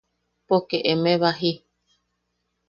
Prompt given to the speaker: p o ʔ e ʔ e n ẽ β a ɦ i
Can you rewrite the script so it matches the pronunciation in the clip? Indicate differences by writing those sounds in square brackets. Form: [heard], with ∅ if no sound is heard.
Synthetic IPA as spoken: p o [k] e ʔ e [m] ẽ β a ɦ i